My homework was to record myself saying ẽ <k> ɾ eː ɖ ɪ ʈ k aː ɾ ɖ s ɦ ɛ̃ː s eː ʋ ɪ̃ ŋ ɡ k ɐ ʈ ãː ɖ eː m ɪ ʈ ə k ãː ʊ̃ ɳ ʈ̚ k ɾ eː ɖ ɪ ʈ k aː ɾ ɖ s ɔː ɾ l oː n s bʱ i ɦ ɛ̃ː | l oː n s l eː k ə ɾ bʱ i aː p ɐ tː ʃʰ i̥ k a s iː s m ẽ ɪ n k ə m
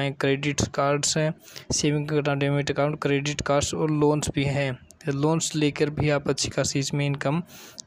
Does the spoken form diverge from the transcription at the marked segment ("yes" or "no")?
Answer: no